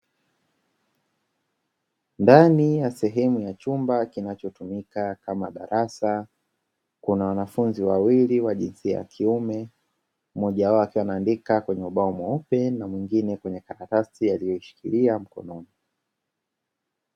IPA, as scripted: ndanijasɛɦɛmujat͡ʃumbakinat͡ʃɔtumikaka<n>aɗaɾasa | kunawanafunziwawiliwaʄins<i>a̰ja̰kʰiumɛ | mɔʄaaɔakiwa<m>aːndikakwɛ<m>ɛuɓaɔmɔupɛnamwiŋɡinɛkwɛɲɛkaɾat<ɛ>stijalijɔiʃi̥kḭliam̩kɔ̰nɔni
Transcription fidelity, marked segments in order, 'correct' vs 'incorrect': incorrect: m, correct, incorrect: n, incorrect: ɲ, incorrect: a

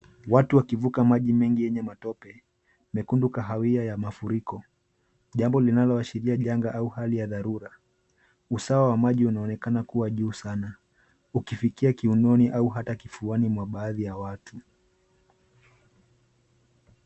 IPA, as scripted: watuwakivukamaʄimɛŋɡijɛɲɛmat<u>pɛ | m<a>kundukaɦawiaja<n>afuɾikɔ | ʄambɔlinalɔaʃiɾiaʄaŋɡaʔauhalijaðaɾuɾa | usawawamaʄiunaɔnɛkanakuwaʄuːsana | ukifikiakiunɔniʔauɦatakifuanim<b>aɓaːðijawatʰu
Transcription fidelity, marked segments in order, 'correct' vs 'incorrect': incorrect: ɔ, incorrect: ɛ, incorrect: m, incorrect: w

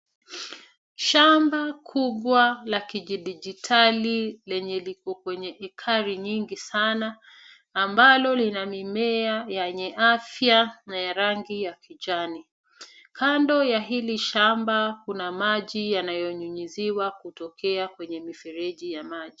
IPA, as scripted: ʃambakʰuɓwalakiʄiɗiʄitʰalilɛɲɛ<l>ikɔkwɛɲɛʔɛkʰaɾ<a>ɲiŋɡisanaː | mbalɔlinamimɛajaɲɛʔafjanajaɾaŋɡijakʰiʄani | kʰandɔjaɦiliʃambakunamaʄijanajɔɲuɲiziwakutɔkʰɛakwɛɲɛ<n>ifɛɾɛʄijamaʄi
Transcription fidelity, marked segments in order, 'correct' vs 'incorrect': correct, incorrect: i, incorrect: m

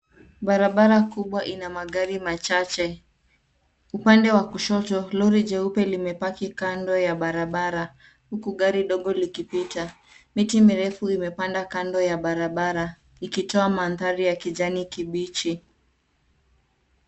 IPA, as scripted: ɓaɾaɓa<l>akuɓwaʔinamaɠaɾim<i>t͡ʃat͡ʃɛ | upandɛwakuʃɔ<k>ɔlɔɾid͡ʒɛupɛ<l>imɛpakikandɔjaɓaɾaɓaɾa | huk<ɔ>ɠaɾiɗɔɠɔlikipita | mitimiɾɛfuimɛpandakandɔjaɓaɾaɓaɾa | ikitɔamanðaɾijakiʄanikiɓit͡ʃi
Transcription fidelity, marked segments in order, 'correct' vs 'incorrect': incorrect: ɾ, incorrect: a, incorrect: t, correct, incorrect: u

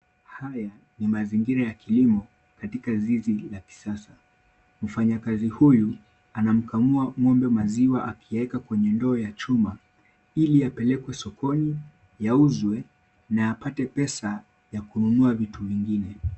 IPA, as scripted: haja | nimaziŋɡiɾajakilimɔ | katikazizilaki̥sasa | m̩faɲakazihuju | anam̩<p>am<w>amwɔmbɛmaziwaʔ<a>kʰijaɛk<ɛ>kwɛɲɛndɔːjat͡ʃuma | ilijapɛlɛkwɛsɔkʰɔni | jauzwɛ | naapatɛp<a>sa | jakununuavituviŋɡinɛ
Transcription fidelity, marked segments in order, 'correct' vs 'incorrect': incorrect: k, incorrect: u, correct, incorrect: a, incorrect: ɛ

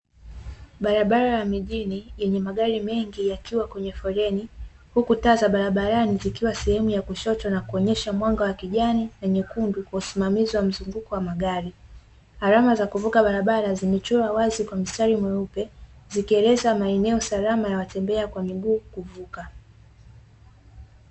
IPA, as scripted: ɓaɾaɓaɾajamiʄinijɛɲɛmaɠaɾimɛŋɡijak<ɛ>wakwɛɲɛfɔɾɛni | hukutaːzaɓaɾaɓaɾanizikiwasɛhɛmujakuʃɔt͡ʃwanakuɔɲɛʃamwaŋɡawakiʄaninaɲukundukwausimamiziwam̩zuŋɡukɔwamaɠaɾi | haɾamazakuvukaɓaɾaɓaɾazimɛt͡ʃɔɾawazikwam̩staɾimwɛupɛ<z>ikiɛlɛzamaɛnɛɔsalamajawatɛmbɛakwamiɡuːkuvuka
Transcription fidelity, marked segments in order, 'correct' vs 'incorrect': incorrect: i, correct

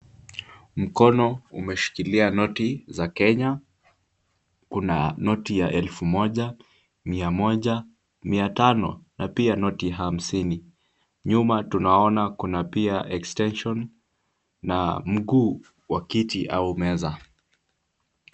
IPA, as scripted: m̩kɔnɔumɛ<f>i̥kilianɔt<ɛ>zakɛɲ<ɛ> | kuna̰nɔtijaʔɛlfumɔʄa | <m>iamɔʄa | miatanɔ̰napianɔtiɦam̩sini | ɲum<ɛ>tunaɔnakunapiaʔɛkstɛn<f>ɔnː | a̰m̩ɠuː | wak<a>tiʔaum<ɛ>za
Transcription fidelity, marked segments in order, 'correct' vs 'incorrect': incorrect: ʃ, incorrect: i, incorrect: a, correct, incorrect: a, incorrect: ʃ, incorrect: i, correct

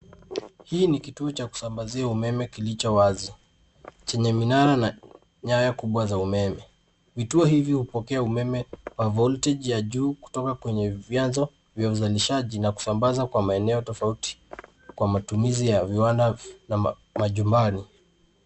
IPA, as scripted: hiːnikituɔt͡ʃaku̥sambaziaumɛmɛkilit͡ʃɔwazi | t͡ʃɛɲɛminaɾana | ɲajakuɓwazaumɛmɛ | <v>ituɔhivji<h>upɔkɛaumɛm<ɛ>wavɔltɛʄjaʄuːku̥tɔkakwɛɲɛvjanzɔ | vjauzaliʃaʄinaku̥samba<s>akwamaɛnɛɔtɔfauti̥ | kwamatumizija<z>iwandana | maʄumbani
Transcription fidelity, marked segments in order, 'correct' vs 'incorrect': correct, correct, correct, incorrect: z, incorrect: v

